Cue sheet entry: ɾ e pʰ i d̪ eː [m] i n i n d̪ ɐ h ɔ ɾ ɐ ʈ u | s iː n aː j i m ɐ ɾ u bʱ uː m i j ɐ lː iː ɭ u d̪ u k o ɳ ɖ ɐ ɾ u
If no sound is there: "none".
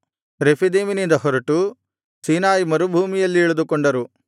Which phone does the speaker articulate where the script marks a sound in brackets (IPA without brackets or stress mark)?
m